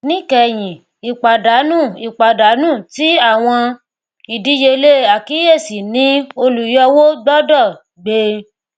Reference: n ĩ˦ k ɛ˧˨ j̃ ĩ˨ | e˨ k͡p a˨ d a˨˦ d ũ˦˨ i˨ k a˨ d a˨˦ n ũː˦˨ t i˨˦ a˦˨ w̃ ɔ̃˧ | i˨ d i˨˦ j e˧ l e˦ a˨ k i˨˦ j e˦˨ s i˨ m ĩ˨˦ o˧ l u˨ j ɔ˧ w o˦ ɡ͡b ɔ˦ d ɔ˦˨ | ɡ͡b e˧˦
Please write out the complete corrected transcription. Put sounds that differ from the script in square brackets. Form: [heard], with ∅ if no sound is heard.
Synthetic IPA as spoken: n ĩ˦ k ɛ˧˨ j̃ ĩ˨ | [i˨] k͡p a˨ d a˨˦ [n] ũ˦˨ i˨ [k͡p] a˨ d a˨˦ n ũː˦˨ t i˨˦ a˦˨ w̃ ɔ̃˧ | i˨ d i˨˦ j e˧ l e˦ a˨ k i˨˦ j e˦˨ s i˨ [n] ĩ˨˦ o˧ l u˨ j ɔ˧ w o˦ ɡ͡b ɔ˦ d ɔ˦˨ | ɡ͡b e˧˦